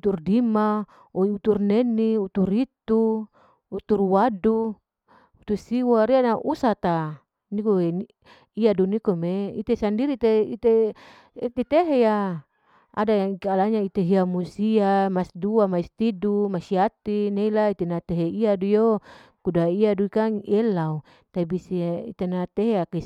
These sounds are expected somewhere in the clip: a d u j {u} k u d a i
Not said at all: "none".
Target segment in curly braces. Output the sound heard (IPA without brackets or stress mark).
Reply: o